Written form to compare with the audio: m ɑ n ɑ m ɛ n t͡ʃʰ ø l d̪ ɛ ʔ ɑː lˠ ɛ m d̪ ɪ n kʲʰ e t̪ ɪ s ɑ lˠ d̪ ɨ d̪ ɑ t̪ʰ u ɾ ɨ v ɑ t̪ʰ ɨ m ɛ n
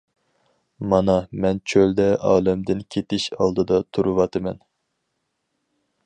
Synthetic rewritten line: m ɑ n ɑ m ɛ n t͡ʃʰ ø l d̪ ɛ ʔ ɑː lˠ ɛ m d̪ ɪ n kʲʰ e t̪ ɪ ʃ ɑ lˠ d̪ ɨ d̪ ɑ t̪ʰ u ɾ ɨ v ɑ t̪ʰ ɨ m ɛ n